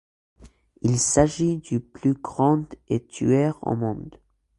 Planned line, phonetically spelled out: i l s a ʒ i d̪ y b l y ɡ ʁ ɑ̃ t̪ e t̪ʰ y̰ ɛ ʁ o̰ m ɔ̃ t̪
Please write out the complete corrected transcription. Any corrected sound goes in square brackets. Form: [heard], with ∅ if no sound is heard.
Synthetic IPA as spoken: i l s a ʒ i d̪ y [p] l y ɡ ʁ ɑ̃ [d̪] e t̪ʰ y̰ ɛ ʁ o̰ m ɔ̃ [d̪]